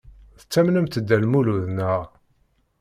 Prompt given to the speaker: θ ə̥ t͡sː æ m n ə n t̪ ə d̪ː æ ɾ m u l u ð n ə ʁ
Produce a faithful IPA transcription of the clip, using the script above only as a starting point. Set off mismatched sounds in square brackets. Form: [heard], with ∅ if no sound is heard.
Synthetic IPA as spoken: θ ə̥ t͡sː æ m n ə [m] t̪ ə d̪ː æ [l] m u l u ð n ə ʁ